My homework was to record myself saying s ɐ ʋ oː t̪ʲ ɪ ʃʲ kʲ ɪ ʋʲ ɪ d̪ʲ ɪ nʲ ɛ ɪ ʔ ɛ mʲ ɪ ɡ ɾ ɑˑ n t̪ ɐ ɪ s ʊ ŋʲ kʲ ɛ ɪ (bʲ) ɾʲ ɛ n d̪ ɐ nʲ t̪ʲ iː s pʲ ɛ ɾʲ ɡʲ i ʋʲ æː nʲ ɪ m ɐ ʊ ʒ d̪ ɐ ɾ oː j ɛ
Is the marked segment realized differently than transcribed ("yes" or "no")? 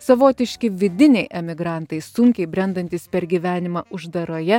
no